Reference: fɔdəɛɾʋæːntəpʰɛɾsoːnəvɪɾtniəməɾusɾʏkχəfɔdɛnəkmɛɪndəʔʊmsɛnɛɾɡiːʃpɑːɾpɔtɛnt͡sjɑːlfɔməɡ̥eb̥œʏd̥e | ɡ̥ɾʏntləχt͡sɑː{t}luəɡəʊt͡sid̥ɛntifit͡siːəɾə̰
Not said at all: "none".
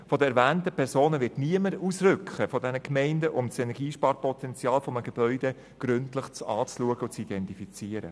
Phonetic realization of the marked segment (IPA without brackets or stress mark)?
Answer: t͡s